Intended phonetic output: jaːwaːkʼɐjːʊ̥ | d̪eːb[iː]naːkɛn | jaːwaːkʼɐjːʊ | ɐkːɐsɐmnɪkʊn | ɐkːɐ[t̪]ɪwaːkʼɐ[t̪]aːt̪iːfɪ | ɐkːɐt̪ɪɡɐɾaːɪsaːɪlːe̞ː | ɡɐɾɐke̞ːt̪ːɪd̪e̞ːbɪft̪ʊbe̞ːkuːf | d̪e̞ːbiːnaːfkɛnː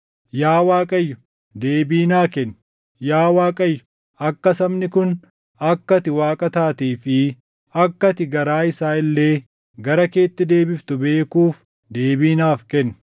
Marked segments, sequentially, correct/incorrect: correct, correct, correct

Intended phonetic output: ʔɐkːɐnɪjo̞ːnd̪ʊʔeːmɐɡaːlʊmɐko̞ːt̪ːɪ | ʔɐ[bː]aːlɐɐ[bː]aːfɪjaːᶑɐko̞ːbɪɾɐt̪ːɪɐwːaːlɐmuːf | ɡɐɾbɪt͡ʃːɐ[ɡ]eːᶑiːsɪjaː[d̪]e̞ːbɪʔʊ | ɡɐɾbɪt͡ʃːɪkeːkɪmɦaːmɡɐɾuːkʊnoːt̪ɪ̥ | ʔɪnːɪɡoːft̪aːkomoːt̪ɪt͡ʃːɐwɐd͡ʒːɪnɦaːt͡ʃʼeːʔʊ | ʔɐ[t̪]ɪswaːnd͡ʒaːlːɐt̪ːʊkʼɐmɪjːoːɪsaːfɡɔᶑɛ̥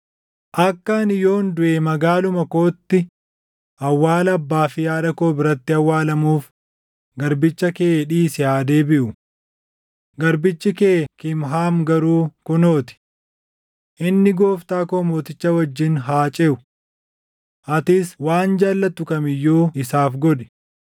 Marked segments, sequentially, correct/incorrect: incorrect, correct, incorrect, correct, correct

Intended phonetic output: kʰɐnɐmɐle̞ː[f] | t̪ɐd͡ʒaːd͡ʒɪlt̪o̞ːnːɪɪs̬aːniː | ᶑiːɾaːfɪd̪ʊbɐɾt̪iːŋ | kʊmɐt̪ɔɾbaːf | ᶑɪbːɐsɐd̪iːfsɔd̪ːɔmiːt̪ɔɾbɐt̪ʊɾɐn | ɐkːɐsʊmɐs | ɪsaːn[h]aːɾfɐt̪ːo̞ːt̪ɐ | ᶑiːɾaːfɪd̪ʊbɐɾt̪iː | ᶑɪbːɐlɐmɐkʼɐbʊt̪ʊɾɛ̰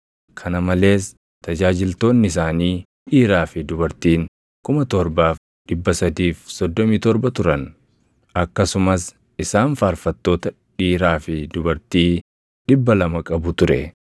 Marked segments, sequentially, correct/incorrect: incorrect, incorrect

